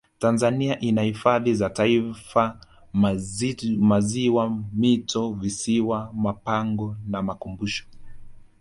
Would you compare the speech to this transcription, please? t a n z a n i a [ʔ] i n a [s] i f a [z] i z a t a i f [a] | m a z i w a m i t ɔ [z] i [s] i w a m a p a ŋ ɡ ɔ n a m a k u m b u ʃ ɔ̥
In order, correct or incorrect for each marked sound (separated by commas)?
correct, incorrect, incorrect, correct, incorrect, correct